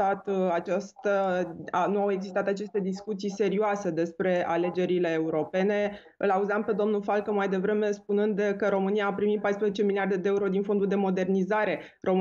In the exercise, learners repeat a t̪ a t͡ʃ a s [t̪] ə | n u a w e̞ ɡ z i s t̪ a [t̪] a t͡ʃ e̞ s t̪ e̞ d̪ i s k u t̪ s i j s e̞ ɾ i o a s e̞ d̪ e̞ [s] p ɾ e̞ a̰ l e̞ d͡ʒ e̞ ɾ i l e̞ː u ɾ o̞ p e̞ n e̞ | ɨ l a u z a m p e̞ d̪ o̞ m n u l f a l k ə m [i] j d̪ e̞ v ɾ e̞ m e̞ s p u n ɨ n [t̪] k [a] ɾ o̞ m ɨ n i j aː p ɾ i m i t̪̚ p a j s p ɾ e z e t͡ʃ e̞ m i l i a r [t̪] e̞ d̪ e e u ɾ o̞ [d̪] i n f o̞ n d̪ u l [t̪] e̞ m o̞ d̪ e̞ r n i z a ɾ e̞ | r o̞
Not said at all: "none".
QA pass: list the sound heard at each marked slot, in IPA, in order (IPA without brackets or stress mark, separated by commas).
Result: t̪, t̪, s, a, d̪, ə, d̪, d̪, d̪